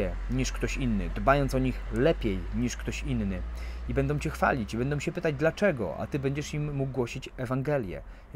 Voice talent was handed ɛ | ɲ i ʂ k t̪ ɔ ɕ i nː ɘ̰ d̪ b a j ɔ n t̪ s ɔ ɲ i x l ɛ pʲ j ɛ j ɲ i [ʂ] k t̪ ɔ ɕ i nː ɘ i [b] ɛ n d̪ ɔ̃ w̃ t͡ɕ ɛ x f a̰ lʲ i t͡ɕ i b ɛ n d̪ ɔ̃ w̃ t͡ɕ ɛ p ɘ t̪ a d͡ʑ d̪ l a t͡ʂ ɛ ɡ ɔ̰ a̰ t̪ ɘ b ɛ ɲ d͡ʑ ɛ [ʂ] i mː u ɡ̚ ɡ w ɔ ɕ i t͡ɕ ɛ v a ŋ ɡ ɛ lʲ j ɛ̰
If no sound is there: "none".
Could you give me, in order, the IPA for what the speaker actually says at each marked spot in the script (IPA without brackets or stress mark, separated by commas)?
ʂ, b, ʂ